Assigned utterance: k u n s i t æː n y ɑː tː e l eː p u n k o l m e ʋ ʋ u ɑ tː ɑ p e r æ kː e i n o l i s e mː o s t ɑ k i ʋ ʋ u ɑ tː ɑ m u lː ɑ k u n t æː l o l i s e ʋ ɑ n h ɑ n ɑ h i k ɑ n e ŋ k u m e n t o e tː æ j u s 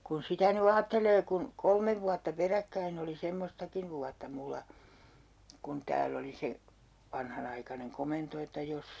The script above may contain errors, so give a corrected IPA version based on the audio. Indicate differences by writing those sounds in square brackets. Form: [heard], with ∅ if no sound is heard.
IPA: k u n s i t [æ] n y ɑː tː e l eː [k] u n k o l m e ʋ ʋ u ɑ tː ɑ p e r æ kː [æ] i n o l i s e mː o s t ɑ k i ʋ ʋ u ɑ tː ɑ m u lː ɑ k u n t æː l o l i s e ʋ ɑ n h ɑ n ɑ [∅] i k ɑ n e ŋ k [o] m e n t o e tː æ j [o] s